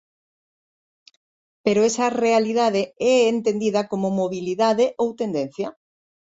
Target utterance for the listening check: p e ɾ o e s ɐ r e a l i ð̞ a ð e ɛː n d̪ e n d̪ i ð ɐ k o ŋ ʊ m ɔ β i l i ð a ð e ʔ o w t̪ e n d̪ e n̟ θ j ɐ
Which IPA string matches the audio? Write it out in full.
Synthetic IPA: p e ɾ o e s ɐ r e a l i ð̞ a ð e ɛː n t̪ e n d̪ i ð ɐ k o m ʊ m o β i l i ð a ð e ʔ o w t̪ e n d̪ e n̟ θ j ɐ